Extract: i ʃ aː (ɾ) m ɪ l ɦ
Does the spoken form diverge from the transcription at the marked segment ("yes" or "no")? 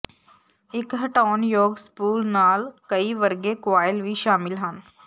yes